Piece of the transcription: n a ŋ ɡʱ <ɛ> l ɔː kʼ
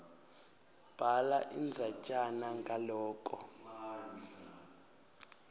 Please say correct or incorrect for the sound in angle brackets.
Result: incorrect